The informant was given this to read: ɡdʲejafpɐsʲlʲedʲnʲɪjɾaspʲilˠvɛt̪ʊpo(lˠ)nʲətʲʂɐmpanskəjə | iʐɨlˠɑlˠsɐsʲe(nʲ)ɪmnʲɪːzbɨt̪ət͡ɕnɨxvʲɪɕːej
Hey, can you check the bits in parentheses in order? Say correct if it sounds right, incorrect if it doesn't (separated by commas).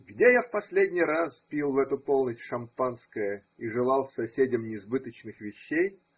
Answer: correct, incorrect